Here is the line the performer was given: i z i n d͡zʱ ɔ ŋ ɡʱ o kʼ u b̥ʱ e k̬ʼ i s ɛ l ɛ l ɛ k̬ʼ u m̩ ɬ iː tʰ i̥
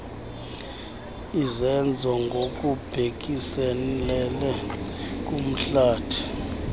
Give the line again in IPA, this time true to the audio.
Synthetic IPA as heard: i z ɛ n d͡zʱ ɔ ŋ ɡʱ o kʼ u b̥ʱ e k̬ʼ i s ɛ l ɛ l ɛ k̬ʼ u m̩ ɬ aː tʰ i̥